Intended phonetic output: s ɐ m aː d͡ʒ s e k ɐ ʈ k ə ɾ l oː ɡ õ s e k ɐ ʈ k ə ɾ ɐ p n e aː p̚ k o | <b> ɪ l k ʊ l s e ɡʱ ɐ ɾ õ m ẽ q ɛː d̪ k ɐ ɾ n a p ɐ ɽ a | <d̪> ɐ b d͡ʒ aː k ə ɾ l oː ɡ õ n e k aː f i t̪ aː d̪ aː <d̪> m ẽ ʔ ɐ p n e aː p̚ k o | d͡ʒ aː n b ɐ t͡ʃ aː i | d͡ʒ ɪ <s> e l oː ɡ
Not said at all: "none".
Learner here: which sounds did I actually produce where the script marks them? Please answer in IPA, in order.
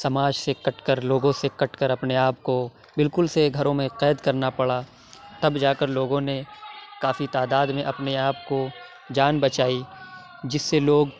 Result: b, t̪, d̪, sː

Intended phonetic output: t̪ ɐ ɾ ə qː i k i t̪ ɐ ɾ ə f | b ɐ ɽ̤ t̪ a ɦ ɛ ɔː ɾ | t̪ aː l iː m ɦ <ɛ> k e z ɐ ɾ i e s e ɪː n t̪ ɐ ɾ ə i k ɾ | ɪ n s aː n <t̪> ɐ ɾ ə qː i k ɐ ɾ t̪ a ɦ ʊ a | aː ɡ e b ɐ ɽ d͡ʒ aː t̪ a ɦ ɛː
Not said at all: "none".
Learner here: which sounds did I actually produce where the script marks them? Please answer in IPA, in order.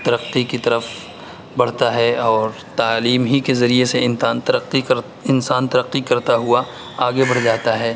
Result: i, t̪

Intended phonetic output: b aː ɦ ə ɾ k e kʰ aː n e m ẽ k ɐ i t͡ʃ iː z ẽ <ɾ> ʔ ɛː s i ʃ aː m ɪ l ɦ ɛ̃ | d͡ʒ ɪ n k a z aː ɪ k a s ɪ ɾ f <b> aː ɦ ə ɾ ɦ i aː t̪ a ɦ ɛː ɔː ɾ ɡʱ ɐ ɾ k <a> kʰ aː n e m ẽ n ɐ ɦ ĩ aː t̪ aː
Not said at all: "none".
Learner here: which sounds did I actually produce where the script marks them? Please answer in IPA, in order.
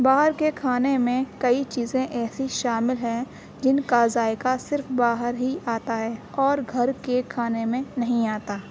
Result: none, b, e

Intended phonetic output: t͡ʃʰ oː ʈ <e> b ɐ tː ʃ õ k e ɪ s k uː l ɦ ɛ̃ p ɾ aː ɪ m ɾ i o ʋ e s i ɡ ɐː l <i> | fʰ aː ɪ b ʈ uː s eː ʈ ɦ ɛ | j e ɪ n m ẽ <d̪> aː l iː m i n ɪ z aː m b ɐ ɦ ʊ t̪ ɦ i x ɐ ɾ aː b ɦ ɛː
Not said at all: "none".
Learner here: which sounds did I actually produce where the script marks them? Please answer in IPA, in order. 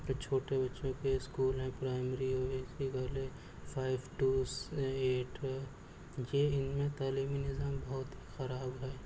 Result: e, e, t̪

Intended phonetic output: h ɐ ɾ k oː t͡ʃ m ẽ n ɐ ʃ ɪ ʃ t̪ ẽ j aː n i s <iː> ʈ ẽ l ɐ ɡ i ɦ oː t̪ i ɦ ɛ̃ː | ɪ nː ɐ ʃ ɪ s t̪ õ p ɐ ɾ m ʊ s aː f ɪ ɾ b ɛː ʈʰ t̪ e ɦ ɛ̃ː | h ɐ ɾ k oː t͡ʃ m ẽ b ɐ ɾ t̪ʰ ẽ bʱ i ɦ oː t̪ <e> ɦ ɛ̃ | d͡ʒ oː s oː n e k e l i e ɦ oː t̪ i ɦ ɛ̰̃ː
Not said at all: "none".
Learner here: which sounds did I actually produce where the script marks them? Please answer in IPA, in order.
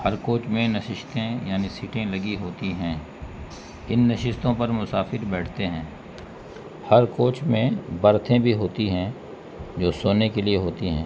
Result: iː, i

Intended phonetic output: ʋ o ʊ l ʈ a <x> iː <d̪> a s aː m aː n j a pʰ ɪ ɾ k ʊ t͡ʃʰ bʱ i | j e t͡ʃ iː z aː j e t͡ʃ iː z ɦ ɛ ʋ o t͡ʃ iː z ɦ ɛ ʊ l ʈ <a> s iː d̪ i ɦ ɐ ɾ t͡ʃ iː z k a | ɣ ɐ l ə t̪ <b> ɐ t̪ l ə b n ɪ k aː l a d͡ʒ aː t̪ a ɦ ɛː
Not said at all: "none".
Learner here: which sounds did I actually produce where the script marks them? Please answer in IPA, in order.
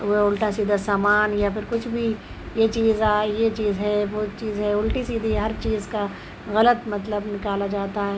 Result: s, d̪, i, m

